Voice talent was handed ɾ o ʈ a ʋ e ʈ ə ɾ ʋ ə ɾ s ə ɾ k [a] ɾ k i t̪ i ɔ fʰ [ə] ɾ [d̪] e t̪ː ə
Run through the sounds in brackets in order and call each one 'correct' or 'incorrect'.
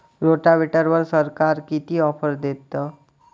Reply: correct, correct, correct

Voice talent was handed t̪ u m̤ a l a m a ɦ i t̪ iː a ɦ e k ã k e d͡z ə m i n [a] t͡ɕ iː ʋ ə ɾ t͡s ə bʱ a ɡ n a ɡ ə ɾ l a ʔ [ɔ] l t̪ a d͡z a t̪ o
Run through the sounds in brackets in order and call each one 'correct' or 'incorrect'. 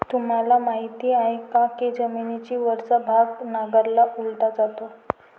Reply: incorrect: i, incorrect: u

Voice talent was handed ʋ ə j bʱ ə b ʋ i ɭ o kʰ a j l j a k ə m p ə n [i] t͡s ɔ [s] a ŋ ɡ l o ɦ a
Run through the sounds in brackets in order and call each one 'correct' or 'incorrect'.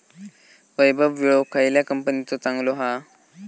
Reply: correct, incorrect: t͡s

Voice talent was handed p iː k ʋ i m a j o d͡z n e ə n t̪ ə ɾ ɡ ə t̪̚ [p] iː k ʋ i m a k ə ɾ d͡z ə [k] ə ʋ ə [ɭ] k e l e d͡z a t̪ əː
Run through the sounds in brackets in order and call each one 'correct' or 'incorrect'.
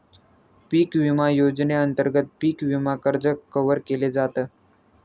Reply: correct, correct, incorrect: ɾ

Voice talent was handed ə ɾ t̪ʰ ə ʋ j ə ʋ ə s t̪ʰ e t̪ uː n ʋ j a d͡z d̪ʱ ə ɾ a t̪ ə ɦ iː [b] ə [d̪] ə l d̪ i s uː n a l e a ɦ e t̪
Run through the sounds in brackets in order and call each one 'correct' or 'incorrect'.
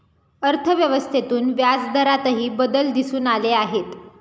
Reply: correct, correct

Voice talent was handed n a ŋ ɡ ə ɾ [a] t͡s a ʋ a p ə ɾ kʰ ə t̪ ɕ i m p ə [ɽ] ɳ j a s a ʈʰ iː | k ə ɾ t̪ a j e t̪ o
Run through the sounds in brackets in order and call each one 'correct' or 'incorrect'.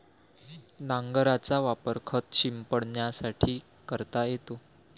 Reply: correct, correct

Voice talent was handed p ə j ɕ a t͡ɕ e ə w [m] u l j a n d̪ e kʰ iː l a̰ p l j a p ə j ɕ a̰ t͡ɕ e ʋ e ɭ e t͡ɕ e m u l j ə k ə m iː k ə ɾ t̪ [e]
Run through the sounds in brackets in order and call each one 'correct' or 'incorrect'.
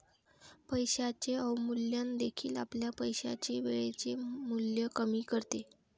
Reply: correct, correct

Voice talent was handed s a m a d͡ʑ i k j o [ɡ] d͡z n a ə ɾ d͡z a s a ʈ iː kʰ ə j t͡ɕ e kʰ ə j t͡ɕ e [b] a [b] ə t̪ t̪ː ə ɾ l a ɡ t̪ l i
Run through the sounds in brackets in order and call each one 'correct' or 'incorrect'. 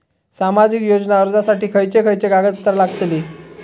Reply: incorrect: none, incorrect: ɡ, incorrect: ɡ

